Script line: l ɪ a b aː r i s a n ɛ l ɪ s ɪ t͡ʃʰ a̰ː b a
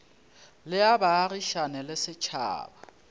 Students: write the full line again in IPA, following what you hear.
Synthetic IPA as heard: l ɪ a b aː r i ʃ a n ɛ l ɪ s ɪ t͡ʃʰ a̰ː b a